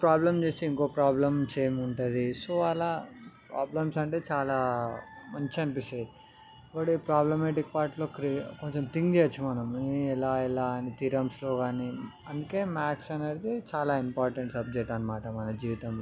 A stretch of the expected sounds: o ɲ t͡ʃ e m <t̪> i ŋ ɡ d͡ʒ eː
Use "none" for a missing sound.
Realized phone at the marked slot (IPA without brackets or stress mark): t̪